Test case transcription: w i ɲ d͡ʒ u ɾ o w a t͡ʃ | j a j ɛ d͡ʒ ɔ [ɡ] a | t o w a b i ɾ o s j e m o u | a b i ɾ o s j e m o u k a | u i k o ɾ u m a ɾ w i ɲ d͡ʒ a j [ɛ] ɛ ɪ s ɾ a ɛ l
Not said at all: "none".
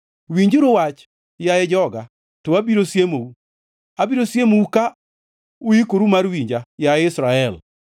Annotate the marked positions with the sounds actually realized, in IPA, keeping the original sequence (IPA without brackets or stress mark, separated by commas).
ɡ, a